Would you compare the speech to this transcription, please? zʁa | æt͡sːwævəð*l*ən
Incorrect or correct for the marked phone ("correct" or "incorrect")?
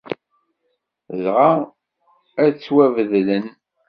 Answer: correct